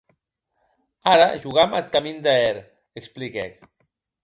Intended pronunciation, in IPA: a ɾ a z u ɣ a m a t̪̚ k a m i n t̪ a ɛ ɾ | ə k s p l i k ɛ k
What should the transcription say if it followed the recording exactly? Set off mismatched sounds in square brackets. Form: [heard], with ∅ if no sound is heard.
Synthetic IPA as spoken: a ɾ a [ʒ] u ɣ a m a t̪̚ k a m i n [d̪] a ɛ ɾ | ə k s p l i k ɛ k

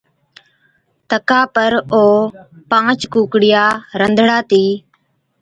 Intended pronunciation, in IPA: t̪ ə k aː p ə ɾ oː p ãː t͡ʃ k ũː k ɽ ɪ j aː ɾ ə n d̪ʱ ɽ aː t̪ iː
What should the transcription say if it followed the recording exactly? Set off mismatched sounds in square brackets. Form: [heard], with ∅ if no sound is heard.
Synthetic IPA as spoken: t̪ ə k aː p ə ɾ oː p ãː t͡ʃ k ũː k ɽ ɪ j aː ɾ ə n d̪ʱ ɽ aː t̪ iː

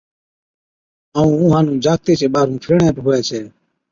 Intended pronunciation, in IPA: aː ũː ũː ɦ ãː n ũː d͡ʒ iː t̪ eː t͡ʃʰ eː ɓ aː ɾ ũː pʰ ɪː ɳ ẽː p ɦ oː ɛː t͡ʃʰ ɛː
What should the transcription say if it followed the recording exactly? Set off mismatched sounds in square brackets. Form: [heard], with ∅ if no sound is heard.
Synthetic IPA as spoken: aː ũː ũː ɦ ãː n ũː d͡ʒ [aː] t̪ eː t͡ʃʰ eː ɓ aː ɾ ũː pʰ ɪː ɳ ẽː p ɦ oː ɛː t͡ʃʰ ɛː

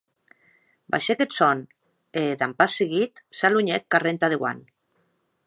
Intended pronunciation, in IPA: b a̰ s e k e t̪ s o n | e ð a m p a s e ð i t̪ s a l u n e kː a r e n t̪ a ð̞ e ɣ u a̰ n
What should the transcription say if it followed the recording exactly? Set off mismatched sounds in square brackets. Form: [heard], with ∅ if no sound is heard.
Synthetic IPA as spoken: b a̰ [ʃ] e k e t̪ s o n | e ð a m p a s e [ɣ] i t̪ s a l u [ɲ] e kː a r e n t̪ a ð̞ e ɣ [w] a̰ n

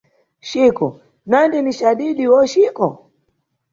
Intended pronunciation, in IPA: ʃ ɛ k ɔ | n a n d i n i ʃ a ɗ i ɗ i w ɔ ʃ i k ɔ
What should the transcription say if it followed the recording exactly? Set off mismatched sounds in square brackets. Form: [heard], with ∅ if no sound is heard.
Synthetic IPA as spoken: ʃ [i] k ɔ | n a n d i n i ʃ a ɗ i ɗ i w ɔ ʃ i k ɔ

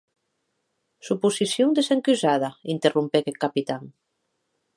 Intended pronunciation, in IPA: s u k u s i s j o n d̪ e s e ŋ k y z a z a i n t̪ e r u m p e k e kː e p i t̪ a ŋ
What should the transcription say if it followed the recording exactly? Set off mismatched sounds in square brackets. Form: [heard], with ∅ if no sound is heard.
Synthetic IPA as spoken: s u [p] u s i s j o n d̪ e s e ŋ k y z a [ð] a i n t̪ e r u m p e k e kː [a] p i t̪ a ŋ

